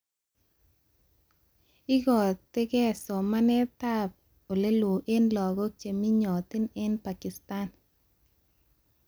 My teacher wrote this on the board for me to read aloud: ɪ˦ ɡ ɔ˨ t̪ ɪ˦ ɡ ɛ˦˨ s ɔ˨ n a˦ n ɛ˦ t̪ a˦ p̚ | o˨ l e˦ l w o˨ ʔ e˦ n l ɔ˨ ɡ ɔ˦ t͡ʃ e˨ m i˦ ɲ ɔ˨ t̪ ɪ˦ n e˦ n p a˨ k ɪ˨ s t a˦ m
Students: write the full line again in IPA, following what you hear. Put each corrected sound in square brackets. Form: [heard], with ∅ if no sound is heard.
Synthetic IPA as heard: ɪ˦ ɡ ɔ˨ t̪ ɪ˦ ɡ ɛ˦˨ s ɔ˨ [m] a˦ n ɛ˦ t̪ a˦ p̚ | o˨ l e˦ l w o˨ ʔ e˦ n l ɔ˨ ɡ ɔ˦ t͡ʃ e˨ m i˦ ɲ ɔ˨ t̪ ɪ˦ n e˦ n p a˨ k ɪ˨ s t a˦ [n]